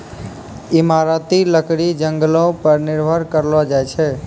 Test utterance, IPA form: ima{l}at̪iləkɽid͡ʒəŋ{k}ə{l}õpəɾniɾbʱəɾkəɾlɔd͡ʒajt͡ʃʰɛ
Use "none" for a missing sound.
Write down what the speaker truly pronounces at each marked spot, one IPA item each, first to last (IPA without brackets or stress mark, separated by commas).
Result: ɾ, ɡ, l